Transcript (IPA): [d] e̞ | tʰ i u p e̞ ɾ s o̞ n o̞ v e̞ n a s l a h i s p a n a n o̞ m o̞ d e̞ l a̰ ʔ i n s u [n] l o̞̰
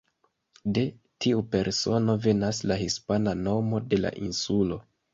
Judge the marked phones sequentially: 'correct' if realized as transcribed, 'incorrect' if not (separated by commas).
correct, incorrect